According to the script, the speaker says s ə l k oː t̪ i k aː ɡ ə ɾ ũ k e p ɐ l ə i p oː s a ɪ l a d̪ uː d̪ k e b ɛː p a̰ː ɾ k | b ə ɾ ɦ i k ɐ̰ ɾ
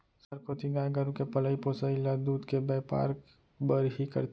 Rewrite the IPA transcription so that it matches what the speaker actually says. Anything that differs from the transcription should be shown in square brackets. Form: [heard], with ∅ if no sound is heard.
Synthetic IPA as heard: s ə [ɾ] k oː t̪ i [ɡ] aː ɡ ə ɾ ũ k e p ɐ l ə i p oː s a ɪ l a d̪ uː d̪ k e b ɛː p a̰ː ɾ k | b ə ɾ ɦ i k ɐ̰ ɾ